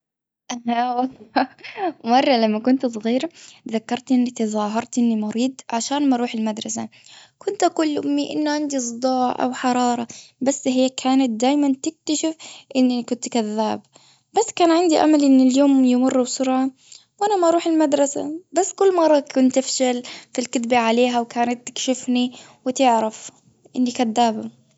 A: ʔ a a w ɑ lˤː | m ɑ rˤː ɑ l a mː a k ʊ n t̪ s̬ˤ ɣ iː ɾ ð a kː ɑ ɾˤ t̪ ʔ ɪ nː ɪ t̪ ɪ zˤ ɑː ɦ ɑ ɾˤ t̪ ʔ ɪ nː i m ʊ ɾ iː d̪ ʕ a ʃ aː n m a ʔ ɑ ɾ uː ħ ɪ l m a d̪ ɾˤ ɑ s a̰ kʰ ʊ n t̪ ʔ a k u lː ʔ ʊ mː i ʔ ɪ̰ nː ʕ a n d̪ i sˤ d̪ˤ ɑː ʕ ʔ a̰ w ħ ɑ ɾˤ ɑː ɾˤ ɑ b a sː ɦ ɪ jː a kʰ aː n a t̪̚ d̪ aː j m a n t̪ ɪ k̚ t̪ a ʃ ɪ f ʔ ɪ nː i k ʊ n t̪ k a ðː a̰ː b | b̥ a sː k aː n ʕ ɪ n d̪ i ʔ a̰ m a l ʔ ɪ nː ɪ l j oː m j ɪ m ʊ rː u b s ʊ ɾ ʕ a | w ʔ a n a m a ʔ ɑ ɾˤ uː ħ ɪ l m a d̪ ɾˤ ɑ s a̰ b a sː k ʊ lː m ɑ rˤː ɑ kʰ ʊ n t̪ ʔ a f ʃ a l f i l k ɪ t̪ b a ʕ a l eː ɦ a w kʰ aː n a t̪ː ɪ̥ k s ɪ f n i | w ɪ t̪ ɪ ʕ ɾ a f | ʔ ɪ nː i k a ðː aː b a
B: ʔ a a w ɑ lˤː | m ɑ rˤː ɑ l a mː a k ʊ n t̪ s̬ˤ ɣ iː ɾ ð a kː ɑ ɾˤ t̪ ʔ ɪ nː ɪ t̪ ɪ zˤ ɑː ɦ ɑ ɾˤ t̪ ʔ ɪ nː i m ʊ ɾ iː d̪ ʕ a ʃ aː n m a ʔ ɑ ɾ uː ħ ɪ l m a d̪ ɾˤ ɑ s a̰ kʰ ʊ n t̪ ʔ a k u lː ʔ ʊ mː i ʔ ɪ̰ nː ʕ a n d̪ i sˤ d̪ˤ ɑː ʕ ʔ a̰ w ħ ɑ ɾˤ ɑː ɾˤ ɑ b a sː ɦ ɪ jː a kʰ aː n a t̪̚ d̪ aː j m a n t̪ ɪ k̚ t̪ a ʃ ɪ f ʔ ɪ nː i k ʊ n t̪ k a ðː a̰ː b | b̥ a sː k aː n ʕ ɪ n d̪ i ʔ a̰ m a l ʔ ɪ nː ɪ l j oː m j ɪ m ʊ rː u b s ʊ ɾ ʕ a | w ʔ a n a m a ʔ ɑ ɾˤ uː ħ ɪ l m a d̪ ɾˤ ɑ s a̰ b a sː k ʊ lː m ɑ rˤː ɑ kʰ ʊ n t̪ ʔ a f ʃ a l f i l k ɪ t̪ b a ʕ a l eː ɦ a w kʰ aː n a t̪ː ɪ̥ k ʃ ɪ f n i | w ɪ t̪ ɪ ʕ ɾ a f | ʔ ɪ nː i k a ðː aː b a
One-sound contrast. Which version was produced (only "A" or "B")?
B